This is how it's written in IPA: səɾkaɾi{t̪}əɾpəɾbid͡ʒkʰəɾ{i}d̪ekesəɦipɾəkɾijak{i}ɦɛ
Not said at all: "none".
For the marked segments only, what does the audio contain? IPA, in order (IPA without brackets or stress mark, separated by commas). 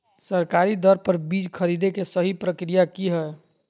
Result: d̪, i, i